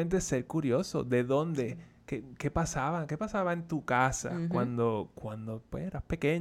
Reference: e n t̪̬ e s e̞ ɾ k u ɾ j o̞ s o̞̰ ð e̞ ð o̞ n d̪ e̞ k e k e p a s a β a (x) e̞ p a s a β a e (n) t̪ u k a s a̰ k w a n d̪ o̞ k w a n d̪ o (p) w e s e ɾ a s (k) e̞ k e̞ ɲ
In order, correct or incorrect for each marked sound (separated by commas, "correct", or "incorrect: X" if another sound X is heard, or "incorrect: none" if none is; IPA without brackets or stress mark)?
incorrect: k, correct, correct, incorrect: p